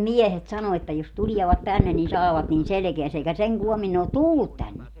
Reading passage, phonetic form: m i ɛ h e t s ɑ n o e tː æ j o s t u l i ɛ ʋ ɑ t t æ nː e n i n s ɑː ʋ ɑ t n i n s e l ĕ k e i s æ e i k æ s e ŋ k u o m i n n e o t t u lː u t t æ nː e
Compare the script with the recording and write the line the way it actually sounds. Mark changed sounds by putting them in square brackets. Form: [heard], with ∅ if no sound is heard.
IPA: m i ɛ h e t s ɑ n o e tː æ j o s t u l i ɛ ʋ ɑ t t æ nː e n i n s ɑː ʋ ɑ t n i n s e l ĕ k e [æ] s æ e i k æ s e ŋ k u o m i n n e o t t u lː u t t æ nː e